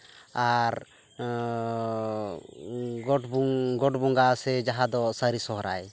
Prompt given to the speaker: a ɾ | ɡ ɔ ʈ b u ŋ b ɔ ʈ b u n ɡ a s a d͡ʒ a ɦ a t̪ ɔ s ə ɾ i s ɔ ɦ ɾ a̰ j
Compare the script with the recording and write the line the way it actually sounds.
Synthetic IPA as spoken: a ɾ | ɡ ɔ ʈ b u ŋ ɡ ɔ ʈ b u ŋ ɡ a s ɛ d͡ʒ a ɦ a d̪ ɔ s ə ɾ i s ɔ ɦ ɾ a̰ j